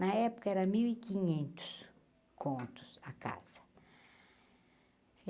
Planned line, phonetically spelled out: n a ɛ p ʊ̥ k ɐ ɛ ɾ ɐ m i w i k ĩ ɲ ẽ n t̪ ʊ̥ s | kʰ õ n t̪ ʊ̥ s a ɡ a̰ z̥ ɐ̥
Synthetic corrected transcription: n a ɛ p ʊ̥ k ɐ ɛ ɾ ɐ m i w i k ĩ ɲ ẽ n t̪ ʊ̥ s | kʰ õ n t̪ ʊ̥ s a k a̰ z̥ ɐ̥